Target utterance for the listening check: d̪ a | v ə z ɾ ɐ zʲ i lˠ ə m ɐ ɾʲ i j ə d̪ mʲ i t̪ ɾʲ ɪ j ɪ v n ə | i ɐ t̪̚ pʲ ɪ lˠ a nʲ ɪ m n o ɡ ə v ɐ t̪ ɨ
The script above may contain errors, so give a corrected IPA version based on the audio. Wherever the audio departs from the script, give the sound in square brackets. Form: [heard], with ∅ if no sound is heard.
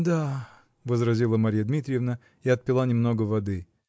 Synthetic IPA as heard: d̪ a | v ə z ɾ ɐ zʲ i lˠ ə m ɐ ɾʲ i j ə d̪ mʲ i t̪ ɾʲ ɪ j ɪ v n ə | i ɐ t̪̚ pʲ ɪ lˠ a nʲ ɪ m n o ɡ ə v ɐ [d̪] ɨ